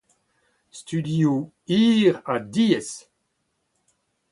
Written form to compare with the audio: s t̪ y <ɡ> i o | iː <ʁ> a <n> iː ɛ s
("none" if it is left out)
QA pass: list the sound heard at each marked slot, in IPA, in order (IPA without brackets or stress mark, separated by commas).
d, ʁ, d